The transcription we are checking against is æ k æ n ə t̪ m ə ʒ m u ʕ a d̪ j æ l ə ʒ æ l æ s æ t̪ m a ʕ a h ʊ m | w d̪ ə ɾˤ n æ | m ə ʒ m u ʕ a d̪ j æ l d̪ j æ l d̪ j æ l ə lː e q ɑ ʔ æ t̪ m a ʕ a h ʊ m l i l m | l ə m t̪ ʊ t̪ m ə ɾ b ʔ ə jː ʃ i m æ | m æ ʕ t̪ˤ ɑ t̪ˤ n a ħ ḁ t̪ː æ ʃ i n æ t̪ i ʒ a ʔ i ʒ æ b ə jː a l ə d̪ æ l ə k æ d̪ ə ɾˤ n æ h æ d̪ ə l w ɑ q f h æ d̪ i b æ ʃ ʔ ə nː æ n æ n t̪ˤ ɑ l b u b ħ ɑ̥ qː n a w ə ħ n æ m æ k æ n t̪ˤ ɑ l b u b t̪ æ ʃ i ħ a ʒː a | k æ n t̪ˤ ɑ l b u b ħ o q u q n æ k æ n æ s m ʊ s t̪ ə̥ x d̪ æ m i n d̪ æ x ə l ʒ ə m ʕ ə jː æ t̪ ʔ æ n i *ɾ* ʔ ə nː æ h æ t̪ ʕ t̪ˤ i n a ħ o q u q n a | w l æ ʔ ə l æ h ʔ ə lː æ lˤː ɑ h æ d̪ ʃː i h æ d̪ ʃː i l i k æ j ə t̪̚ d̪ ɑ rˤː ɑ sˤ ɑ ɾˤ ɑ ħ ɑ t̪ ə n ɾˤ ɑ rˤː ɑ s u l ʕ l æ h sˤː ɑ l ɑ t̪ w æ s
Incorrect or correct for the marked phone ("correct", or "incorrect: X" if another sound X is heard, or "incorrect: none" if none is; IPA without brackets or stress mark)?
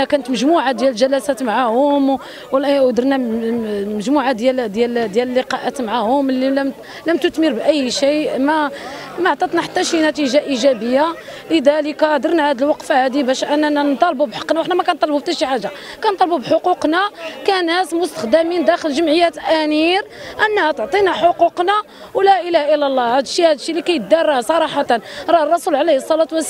correct